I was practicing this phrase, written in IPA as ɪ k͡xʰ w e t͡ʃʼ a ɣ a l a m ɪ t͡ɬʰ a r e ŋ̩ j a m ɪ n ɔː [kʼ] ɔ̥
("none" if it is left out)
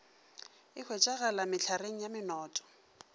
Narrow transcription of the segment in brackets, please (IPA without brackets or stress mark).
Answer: tʼ